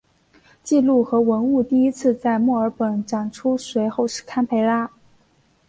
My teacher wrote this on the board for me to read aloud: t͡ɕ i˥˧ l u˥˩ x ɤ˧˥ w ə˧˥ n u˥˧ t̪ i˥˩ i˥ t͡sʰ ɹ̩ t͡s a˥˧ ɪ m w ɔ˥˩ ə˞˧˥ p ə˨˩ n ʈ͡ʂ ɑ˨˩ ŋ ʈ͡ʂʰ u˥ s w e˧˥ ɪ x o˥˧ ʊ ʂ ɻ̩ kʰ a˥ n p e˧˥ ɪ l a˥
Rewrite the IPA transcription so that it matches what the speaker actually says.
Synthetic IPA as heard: t͡ɕ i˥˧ l u˥˩ x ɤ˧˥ w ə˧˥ n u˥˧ t̪ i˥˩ i˥ t͡sʰ ɹ̩ t͡s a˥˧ ɪ m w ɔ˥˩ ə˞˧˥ p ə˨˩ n ʈ͡ʂ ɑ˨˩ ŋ ʈ͡ʂʰ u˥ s w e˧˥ ɪ x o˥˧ ʊ ʂ ɻ̩ kʰ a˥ n pʰ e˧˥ ɪ l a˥